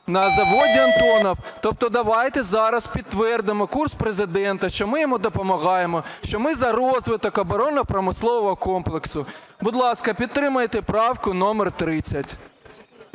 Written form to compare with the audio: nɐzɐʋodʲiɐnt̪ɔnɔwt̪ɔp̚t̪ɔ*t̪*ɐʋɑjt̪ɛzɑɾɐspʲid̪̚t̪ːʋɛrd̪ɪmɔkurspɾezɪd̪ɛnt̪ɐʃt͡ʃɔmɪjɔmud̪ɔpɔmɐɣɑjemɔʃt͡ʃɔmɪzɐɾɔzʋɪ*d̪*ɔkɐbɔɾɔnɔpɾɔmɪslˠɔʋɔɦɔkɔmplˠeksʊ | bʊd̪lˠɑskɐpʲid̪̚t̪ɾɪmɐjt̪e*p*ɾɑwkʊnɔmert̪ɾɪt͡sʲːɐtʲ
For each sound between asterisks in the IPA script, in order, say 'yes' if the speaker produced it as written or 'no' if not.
no, no, yes

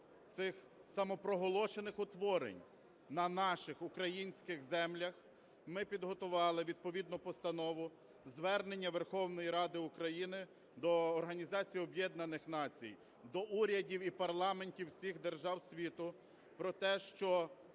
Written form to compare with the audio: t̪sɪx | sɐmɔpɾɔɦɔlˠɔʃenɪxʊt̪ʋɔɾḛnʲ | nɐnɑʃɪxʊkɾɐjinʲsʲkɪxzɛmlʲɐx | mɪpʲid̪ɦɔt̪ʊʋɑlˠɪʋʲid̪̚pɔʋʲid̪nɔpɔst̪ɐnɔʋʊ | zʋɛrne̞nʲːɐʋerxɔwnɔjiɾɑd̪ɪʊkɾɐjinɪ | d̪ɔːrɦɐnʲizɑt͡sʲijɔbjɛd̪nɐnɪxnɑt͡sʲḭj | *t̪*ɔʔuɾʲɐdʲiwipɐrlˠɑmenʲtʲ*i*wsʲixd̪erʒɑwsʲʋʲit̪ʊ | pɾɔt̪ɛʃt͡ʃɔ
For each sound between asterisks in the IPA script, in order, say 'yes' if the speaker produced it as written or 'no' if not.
no, yes

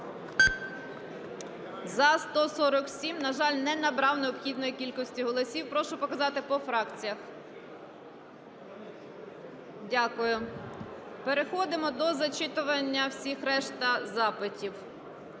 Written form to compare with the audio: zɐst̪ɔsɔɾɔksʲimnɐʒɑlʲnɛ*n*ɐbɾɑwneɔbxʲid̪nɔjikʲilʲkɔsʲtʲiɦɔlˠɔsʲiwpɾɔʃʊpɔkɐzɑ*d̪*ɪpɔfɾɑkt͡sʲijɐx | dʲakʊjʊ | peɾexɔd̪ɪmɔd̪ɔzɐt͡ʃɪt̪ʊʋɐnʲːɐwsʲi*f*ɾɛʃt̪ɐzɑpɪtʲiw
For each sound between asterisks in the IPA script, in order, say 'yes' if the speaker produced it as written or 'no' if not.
yes, no, no

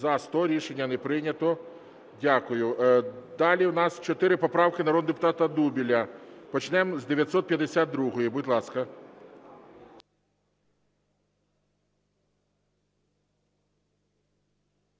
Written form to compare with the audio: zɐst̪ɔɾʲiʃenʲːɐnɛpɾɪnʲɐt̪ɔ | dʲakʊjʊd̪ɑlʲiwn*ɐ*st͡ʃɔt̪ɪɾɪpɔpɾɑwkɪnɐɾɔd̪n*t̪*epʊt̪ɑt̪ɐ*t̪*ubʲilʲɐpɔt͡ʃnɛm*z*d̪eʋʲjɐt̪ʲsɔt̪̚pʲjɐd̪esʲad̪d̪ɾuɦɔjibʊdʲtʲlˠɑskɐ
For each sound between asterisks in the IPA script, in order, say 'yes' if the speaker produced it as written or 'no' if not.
no, no, no, yes

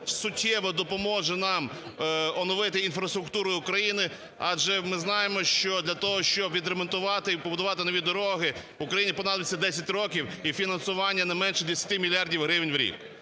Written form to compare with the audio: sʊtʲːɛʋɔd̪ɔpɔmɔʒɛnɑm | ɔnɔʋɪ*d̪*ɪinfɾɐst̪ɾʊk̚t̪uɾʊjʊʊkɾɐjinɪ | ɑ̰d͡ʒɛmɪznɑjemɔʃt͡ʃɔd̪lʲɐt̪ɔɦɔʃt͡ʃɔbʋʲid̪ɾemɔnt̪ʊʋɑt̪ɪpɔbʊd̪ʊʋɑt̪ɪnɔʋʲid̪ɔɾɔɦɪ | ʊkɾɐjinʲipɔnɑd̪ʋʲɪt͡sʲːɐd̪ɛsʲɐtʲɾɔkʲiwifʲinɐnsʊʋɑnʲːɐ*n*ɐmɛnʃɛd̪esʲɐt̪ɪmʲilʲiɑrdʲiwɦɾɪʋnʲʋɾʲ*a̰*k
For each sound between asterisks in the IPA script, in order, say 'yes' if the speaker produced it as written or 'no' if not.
no, yes, no

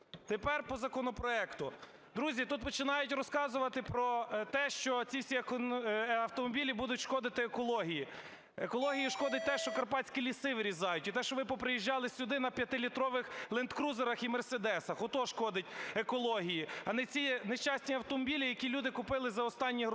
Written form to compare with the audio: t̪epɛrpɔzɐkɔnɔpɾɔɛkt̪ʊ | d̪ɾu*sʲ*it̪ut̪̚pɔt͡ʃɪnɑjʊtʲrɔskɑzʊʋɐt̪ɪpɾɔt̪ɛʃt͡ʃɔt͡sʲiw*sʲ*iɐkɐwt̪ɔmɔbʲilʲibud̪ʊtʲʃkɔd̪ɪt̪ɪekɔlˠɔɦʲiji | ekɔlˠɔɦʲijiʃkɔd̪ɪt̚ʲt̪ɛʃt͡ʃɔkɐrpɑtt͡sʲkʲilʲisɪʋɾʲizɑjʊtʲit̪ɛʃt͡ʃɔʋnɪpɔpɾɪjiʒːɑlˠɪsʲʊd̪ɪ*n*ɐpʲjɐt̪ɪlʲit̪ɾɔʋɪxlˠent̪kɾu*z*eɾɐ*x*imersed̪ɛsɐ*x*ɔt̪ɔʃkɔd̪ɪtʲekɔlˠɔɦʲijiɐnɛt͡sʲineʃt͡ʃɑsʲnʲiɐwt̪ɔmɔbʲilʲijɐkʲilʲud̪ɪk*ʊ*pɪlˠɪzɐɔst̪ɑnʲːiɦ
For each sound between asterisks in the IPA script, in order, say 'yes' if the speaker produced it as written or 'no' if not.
no, yes, yes, yes, yes, yes, yes

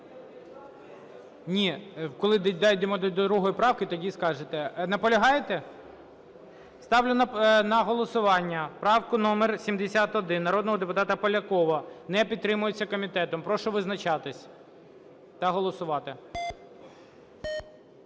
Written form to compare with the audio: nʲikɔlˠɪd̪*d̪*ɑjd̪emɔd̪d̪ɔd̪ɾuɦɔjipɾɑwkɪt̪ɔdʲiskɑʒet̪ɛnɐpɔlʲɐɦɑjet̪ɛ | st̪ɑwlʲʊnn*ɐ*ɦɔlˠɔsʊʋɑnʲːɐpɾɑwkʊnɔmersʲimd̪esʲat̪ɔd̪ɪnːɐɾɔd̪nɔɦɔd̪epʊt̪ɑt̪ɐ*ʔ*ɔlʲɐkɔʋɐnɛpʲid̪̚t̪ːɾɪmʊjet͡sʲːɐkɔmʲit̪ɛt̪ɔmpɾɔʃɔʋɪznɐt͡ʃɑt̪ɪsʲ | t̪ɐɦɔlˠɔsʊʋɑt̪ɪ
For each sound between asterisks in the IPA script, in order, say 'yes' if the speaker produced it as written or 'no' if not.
yes, yes, no

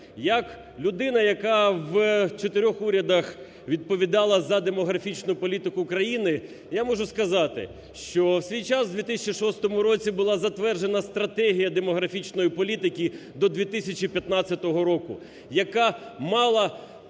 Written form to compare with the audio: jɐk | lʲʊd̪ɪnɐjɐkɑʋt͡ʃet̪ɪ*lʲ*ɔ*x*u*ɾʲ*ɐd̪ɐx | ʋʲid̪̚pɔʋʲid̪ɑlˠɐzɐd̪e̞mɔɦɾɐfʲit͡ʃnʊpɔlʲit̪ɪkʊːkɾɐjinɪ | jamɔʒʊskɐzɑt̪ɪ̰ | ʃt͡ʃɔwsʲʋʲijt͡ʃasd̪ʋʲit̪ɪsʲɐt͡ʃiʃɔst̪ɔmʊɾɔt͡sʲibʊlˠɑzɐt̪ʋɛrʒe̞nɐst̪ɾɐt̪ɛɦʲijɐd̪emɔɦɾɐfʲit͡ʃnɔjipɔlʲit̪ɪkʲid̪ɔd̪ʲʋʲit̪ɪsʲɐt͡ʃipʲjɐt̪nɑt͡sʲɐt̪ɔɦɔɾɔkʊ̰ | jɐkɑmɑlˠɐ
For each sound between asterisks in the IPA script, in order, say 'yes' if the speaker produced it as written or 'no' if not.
no, yes, yes

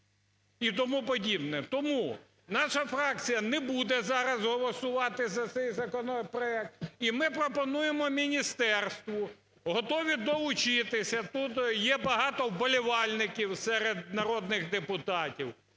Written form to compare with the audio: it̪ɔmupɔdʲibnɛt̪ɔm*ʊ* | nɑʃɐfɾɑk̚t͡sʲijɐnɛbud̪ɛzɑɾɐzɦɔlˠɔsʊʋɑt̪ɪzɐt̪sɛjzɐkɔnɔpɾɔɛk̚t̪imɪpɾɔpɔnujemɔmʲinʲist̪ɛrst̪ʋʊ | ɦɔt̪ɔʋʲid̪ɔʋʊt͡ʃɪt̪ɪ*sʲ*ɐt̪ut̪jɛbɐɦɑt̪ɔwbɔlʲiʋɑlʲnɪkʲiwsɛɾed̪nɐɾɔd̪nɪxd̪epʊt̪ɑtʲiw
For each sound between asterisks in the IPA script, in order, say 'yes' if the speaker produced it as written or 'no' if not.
no, yes

